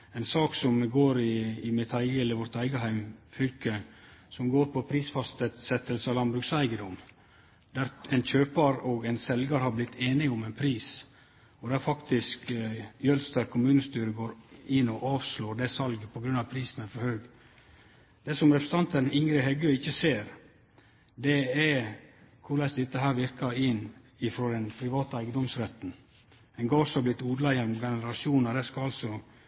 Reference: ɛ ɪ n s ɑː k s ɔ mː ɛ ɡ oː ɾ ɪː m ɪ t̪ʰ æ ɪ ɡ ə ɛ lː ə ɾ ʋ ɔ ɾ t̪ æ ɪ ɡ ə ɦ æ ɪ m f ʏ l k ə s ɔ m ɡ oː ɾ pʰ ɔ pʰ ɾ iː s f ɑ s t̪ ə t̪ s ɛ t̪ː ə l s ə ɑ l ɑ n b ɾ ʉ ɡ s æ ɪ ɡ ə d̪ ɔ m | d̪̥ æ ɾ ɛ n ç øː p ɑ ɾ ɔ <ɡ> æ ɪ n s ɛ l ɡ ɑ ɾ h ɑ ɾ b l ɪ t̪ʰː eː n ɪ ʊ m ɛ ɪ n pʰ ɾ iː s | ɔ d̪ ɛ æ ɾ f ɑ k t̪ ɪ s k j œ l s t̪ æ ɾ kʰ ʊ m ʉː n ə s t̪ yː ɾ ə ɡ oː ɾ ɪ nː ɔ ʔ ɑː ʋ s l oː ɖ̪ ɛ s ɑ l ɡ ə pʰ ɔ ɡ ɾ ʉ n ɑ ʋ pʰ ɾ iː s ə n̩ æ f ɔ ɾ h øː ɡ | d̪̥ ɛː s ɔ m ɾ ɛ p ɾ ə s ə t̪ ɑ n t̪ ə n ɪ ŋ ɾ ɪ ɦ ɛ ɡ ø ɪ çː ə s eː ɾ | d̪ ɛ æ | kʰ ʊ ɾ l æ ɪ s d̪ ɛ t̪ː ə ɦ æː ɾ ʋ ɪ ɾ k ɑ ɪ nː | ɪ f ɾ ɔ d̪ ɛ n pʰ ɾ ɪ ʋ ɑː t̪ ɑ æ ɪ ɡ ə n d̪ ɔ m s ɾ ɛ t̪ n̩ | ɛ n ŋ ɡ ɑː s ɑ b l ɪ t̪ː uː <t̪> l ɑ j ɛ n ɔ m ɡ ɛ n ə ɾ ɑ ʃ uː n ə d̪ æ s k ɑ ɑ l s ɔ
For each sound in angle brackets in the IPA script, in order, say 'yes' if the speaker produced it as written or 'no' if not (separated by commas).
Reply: yes, no